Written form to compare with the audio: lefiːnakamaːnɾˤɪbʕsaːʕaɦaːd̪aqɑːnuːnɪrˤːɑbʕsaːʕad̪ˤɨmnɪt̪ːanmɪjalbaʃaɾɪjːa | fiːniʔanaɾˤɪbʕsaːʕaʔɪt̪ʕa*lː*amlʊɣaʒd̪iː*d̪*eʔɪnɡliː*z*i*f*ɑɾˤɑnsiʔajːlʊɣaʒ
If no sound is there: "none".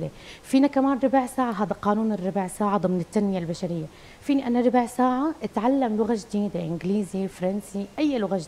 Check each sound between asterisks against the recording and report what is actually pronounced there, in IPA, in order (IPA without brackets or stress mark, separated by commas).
lː, d̪, z, f